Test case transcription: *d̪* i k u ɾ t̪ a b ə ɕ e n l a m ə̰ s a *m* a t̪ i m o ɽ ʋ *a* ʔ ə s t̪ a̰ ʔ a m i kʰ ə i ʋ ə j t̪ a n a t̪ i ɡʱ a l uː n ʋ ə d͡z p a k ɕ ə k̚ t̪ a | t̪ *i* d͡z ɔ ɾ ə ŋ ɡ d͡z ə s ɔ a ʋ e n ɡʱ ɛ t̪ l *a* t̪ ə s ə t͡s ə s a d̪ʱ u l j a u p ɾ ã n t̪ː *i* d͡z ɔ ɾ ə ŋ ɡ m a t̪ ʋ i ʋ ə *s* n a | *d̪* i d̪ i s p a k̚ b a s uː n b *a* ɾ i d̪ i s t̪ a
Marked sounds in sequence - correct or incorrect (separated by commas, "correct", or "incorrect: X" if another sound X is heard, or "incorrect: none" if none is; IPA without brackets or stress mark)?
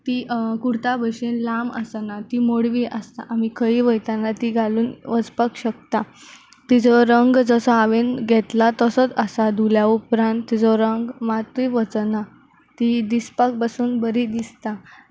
incorrect: t̪, incorrect: n, incorrect: i, correct, correct, correct, incorrect: t͡s, incorrect: t̪, incorrect: ə